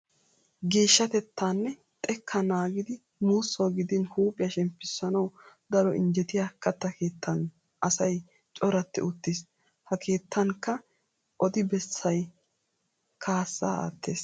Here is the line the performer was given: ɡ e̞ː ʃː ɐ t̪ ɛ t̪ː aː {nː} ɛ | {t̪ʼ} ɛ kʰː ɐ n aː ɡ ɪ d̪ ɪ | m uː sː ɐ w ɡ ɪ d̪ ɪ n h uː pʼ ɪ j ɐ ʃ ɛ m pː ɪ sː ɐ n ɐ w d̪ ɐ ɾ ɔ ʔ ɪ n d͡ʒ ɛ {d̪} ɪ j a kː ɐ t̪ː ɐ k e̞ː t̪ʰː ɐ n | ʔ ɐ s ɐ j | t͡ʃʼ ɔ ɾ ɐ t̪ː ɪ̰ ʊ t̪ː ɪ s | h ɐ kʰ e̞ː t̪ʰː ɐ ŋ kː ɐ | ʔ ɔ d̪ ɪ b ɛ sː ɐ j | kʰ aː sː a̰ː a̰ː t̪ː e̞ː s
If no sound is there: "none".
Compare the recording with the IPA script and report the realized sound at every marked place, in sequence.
nː, t̪ʼ, t̪

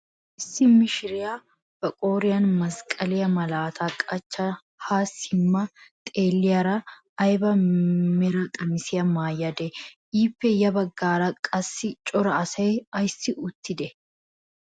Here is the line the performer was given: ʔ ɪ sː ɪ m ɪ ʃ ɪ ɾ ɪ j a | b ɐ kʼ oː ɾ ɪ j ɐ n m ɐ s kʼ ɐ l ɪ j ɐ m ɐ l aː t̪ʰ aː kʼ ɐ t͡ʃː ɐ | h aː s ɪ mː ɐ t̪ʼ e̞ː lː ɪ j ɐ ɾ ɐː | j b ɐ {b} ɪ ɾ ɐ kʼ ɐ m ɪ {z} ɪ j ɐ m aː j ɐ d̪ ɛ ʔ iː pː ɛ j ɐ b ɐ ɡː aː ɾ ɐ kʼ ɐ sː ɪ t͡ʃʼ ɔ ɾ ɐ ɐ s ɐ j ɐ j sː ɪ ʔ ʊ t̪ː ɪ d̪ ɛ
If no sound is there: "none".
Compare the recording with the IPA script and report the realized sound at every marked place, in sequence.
m, s

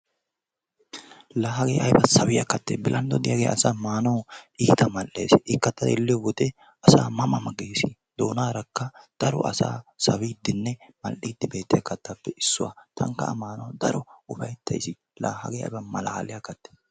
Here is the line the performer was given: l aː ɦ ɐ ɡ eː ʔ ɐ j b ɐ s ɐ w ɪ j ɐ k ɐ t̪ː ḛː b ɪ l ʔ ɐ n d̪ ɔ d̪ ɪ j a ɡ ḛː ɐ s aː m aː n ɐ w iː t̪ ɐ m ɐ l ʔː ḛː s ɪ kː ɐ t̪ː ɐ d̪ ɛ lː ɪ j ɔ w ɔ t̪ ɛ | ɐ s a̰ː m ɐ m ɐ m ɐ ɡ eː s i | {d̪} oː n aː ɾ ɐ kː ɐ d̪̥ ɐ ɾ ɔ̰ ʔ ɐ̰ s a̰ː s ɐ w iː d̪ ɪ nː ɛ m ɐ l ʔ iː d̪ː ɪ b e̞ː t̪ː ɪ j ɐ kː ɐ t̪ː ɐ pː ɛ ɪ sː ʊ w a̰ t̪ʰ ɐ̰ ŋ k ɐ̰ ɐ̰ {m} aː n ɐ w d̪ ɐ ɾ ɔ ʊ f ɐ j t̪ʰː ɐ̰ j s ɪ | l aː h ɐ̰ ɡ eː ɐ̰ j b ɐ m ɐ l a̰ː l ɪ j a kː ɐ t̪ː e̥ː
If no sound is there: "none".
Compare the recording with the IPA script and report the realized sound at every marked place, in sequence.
d̪, m

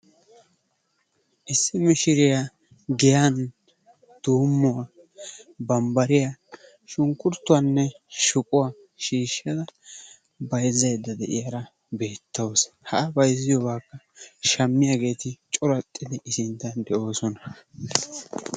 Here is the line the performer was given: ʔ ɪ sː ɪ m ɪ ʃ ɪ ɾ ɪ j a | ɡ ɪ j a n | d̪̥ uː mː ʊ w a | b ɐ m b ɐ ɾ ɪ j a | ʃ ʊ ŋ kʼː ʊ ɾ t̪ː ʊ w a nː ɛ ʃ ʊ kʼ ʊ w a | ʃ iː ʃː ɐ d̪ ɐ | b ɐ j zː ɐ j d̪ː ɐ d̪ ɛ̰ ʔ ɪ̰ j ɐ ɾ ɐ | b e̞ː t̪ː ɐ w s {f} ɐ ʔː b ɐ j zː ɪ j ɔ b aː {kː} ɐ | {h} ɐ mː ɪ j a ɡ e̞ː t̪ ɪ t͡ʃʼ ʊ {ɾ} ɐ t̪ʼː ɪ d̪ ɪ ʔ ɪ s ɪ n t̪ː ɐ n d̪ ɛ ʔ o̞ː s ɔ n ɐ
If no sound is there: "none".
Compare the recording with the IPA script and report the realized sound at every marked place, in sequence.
h, kː, ʃ, ɾ

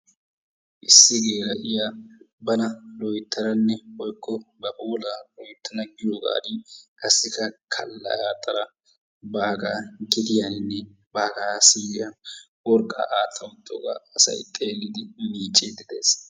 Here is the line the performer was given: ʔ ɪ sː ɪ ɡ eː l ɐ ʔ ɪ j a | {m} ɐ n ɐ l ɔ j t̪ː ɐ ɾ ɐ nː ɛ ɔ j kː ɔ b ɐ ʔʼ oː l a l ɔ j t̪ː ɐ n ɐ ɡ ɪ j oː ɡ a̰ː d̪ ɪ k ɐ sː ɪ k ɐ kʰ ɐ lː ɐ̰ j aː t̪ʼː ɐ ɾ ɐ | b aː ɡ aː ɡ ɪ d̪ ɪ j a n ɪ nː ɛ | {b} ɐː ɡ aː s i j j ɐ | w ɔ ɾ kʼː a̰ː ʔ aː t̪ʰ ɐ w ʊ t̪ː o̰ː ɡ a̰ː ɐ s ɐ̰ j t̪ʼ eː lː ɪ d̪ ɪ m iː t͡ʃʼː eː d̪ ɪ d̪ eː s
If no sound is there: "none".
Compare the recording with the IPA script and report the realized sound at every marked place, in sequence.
b, b

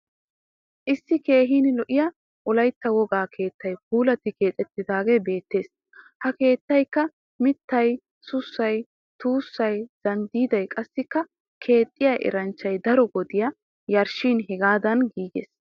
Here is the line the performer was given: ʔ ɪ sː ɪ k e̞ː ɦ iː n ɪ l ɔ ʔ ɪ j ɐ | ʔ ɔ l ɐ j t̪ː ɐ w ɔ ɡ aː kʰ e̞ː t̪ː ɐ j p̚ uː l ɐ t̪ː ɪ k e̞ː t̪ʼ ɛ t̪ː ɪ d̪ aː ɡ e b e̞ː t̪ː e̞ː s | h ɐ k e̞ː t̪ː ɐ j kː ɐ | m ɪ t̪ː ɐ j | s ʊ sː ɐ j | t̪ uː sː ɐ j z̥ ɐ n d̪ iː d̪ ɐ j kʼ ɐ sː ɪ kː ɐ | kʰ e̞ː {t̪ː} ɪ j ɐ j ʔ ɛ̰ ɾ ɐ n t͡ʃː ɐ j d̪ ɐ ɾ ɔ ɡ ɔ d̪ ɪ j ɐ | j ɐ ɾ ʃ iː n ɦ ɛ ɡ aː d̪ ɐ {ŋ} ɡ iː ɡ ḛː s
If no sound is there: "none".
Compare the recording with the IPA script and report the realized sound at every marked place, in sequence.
t̪ʼː, n

